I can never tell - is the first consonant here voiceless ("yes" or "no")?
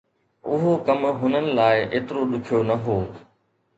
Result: no